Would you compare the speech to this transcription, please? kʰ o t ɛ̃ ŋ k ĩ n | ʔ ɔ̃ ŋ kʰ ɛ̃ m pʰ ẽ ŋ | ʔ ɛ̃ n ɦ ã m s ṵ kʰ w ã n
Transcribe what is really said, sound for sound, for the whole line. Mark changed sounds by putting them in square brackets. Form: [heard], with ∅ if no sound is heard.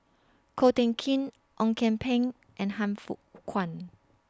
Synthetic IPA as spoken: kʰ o t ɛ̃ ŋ [kʰ] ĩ n | ʔ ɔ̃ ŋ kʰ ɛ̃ m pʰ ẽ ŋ | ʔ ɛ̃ n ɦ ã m [f] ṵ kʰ w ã n